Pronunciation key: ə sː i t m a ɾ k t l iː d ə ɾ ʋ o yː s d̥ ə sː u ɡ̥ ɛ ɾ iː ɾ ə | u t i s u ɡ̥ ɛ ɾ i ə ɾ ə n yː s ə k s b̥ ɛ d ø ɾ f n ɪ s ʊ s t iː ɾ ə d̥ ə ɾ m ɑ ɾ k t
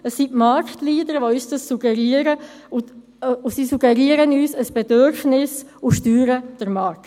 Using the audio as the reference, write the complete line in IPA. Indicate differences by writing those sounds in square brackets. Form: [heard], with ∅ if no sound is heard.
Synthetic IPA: ə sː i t m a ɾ k t l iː d ə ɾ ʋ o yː s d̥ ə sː u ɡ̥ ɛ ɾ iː ɾ ə | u [s] i s u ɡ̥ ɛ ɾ i ə ɾ ə n yː s ə [∅] s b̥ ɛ d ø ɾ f n ɪ s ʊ [ʃ] t [yː] ɾ ə d̥ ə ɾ m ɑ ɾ k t